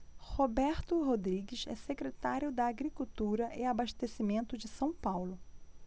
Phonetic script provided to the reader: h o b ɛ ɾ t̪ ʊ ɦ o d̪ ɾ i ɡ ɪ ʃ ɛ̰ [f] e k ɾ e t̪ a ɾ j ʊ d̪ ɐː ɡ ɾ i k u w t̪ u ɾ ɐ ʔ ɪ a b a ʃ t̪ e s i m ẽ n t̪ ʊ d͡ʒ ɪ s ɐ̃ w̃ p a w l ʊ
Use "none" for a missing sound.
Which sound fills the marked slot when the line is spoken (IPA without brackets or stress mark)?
s